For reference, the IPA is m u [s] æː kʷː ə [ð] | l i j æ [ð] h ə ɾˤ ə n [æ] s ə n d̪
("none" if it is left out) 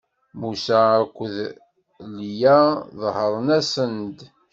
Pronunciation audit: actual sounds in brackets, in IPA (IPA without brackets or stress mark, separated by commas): s, ð, ð, æ